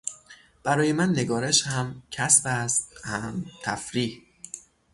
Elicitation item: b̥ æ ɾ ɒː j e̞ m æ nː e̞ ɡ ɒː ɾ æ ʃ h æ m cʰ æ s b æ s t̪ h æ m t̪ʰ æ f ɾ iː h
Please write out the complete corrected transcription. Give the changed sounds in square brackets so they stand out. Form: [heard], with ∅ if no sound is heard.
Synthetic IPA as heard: b̥ æ ɾ ɒː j e̞ m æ nː e̞ ɡ ɒː ɾ [e] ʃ h æ m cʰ æ s b æ s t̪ h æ m t̪ʰ æ f ɾ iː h